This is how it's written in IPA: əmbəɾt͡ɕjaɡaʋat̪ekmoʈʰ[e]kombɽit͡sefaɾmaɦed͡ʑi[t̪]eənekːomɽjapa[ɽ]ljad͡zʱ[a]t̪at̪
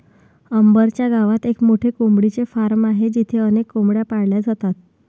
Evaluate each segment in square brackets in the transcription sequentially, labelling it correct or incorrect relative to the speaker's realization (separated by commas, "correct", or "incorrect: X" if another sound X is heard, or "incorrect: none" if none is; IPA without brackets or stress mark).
correct, incorrect: t̪ʰ, correct, correct